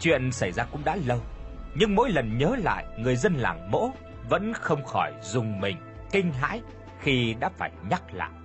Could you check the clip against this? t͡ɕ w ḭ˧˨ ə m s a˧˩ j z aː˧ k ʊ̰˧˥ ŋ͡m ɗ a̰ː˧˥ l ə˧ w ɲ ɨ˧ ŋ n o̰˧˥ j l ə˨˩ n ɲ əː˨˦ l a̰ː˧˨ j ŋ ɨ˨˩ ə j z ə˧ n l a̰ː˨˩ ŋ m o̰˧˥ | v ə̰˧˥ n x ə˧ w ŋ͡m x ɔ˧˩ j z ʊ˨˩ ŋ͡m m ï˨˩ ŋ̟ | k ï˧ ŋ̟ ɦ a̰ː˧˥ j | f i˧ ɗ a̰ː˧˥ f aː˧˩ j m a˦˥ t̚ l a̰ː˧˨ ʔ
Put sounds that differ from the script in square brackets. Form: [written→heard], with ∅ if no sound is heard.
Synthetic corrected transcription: t͡ɕ w ḭ˧˨ ə [m→n] s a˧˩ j z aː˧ k ʊ̰˧˥ ŋ͡m ɗ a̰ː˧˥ l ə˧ w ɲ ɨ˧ ŋ [n→m] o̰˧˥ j l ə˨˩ n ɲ əː˨˦ l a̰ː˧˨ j ŋ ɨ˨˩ ə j z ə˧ n l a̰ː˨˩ ŋ m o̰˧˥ | v ə̰˧˥ n x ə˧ w ŋ͡m x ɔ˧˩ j z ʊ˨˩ ŋ͡m m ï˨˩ ŋ̟ | k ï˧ ŋ̟ ɦ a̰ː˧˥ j | [f→x] i˧ ɗ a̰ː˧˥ f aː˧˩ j [m→ɲ] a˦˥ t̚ l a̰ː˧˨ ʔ